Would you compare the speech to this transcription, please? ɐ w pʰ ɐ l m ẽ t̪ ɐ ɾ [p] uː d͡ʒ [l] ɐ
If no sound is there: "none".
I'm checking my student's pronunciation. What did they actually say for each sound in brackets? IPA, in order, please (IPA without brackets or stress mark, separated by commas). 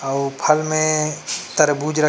b, ɾ